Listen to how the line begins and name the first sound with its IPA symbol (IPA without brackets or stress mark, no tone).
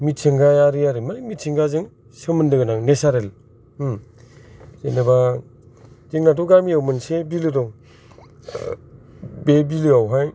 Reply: m